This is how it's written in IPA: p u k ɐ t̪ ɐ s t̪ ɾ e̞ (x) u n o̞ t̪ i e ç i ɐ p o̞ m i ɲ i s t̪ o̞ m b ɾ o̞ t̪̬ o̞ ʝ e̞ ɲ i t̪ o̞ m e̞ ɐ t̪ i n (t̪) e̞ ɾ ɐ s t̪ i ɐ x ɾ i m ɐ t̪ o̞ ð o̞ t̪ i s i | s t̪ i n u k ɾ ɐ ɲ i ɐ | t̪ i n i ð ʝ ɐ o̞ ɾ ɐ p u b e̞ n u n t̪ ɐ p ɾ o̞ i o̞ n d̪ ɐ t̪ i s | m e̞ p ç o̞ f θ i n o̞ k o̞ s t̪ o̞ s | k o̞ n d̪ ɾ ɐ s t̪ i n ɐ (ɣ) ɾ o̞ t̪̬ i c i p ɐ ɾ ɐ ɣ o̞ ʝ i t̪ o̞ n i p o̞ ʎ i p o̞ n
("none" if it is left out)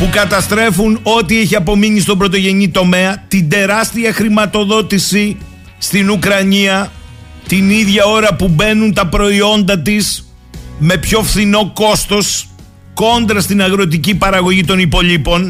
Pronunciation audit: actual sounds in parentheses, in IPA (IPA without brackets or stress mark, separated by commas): f, d̪, ɣ